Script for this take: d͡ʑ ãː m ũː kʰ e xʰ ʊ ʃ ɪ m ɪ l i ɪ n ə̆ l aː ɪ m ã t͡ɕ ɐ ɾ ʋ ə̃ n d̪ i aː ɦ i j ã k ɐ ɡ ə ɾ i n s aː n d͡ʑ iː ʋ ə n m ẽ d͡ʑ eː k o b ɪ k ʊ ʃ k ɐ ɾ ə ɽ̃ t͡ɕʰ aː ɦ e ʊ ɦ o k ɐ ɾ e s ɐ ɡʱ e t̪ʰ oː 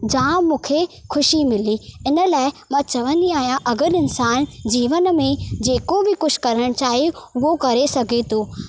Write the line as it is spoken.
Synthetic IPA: d͡ʑ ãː m ũː kʰ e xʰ ʊ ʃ i m ɪ l i ɪ n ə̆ l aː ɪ m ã t͡ɕ ɐ ʋ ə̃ n d̪ i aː ɦ i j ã ʔ ɐ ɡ ə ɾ ɪ n s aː n d͡ʑ iː ʋ ə n m ẽ d͡ʑ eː k o b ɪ k ʊ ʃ k ɐ ɾ ə ɽ̃ t͡ɕ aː ɦ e ʊ ɦ o k ɐ ɾ e s ɐ ɡʱ e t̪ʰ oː